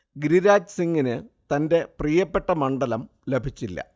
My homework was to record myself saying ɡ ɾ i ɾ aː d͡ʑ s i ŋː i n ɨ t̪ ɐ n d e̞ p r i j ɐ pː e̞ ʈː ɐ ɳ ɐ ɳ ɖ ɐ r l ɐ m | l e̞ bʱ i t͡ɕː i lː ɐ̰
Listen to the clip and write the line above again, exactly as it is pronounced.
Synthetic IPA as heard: ɡ ɾ i ɾ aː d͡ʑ s i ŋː i n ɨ t̪ ɐ n d e̞ p r i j ɐ pː e̞ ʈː ɐ m ɐ ɳ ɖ ɐ l ɐ m | l e̞ bʱ i t͡ɕː i lː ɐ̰

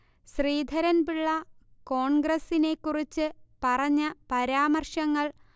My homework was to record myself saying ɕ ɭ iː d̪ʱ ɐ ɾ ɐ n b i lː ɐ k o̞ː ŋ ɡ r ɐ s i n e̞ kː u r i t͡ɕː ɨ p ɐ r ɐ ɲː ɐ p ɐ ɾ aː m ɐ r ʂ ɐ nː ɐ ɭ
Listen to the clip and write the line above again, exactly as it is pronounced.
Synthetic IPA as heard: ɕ r iː d̪ʱ ɐ ɾ ɐ n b i ɭː ɐ k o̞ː ɳ ɡ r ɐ s i n e̞ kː u r i t͡ɕː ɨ p ɐ r ɐ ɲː ɐ p ɐ ɾ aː m ɐ r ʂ ɐ ŋː ɐ ɭ

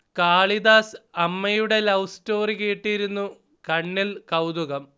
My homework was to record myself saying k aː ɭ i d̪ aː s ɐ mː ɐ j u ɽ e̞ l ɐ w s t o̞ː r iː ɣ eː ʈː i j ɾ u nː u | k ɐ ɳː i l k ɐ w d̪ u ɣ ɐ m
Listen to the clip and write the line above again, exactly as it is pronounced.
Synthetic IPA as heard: k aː ɭ i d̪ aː s ɐ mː ɐ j u ɽ e̞ l ɐ w s t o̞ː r i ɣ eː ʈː i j ɾ u nː u | k ɐ ɳː i l k ɐ w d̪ u ɣ ɐ m

